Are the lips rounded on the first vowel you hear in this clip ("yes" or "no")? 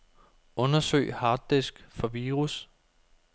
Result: yes